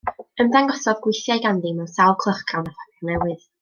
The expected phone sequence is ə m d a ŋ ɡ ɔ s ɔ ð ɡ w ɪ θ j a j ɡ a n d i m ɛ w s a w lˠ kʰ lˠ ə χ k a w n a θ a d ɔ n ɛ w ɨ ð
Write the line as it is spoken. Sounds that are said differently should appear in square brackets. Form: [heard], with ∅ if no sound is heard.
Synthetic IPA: ə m d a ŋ ɡ ɔ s ɔ ð ɡ w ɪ θ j a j ɡ a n d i m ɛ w s a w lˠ kʰ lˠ ə χ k a w n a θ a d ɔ n ɛ w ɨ ð